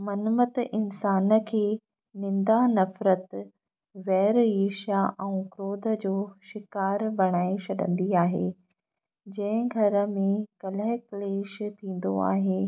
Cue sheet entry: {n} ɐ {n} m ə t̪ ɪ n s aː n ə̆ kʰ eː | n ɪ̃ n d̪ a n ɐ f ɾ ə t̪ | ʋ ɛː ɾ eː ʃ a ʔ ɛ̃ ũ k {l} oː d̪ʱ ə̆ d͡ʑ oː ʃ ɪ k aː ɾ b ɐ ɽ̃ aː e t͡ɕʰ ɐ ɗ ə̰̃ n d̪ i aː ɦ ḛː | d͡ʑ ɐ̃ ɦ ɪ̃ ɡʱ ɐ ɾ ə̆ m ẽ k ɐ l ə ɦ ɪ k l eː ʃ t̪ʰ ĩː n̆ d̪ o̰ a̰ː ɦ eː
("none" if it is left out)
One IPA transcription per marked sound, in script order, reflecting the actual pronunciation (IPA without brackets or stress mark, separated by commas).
m, n, ɾ